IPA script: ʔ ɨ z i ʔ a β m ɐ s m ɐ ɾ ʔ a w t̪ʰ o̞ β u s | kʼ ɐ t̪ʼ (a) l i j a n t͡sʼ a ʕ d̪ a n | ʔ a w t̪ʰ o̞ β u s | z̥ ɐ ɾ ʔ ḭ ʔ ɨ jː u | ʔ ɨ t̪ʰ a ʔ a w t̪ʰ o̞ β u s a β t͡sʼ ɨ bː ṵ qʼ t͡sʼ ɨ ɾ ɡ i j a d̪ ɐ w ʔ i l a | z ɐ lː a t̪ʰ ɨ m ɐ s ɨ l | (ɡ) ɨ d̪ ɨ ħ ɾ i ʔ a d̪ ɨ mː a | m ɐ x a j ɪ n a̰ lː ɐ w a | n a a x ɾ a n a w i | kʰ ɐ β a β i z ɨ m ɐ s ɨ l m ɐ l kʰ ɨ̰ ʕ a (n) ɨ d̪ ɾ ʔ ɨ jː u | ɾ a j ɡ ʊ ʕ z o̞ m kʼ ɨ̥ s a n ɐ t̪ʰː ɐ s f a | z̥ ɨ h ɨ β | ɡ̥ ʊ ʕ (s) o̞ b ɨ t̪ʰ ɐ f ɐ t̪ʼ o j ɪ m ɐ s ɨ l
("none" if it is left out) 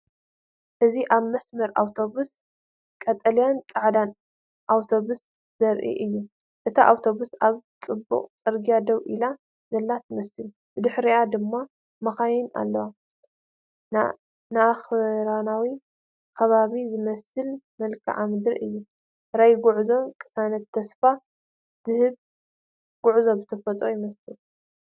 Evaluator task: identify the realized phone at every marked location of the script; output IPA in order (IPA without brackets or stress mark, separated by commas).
ɐ, b, m, z